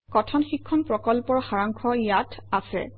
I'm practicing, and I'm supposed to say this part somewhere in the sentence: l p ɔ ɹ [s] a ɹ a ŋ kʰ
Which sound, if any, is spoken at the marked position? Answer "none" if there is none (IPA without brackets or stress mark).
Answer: x